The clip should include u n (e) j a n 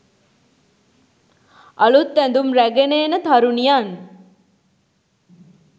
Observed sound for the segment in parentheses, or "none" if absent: i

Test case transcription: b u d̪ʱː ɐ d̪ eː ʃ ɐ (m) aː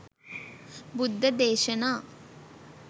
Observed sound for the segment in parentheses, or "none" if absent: n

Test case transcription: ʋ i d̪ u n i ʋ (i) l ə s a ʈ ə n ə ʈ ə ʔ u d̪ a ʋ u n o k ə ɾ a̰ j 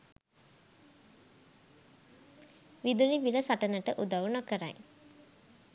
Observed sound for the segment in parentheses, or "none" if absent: i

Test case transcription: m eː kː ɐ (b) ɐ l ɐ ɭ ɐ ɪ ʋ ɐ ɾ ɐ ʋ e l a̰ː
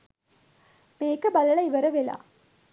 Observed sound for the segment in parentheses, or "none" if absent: b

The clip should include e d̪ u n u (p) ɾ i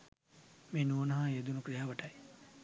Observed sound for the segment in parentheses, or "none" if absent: k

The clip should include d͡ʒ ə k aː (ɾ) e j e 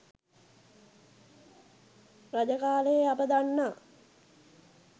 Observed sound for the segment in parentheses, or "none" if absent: l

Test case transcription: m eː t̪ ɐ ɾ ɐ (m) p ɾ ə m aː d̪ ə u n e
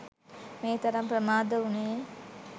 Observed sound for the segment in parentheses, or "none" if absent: m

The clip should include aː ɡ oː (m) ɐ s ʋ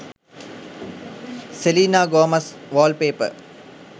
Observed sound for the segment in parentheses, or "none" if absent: m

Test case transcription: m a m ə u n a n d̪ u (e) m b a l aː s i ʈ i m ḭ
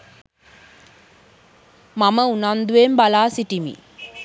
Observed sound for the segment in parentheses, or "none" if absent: e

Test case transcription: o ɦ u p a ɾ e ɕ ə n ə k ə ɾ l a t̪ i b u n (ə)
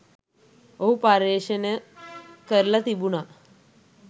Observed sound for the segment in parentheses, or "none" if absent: a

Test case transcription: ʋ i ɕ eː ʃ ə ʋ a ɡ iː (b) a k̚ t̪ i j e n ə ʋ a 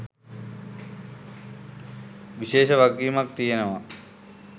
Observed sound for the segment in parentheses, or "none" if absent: m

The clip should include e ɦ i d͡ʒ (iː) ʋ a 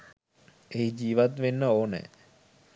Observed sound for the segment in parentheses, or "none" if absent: iː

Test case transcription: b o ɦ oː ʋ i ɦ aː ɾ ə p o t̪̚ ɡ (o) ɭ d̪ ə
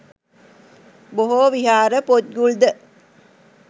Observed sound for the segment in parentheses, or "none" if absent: u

